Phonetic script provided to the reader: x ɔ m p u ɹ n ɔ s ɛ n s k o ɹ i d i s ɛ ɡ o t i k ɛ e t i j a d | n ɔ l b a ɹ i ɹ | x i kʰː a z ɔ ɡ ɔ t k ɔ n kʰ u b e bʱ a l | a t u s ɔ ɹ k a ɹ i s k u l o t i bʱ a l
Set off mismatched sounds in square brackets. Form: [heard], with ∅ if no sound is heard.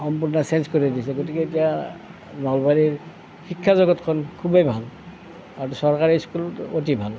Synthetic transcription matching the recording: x ɔ m p u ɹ n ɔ s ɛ n s k o ɹ i d i s ɛ ɡ o t i k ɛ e t i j a [∅] | n ɔ l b a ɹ i ɹ | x i kʰː a z ɔ ɡ ɔ t [kʰ] ɔ n kʰ u b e bʱ a l | a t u s ɔ ɹ k a ɹ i s k u l o t i bʱ a l